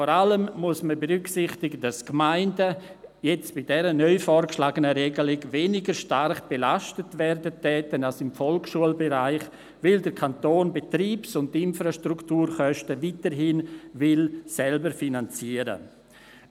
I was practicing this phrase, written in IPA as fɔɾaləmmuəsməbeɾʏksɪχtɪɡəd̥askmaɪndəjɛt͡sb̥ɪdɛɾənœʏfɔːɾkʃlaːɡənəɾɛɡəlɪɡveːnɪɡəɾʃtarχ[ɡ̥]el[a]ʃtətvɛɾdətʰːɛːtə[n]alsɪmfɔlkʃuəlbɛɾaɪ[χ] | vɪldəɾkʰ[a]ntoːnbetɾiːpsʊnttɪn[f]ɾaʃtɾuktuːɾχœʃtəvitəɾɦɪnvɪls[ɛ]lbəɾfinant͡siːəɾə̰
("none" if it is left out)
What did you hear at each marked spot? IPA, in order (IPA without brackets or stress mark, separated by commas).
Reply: b̥, a, n, χ, a, f, ɛ